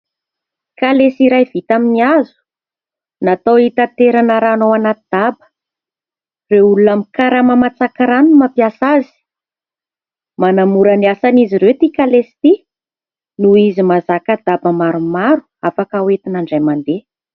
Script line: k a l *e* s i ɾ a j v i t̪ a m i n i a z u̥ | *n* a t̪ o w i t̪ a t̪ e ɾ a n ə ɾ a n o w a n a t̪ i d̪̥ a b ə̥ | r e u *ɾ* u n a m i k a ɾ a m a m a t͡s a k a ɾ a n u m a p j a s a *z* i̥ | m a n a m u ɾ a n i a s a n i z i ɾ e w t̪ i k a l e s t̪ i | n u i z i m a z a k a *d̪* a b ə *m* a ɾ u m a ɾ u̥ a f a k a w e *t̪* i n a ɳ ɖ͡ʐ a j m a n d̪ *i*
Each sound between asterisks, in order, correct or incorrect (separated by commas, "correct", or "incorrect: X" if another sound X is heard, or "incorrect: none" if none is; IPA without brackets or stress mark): correct, correct, incorrect: l, correct, correct, correct, correct, incorrect: e